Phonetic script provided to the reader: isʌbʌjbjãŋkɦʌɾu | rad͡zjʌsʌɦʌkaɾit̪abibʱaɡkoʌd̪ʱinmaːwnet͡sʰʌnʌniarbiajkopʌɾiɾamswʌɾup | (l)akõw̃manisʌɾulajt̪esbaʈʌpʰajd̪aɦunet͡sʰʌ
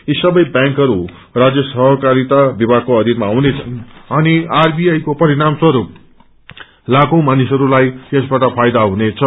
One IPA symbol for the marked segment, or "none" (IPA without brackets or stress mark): l